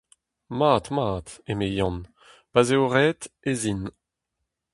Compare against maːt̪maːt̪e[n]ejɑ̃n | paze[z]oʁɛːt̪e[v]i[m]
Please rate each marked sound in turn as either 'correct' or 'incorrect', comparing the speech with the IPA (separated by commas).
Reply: incorrect, incorrect, incorrect, incorrect